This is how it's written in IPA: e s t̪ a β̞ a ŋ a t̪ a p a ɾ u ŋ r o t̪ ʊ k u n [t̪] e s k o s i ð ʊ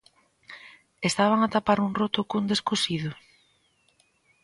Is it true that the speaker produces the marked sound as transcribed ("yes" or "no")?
no